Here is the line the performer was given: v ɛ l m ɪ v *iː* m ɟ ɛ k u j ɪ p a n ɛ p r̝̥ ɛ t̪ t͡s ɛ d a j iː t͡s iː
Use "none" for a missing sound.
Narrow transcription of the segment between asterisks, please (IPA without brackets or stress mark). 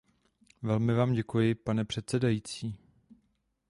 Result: aː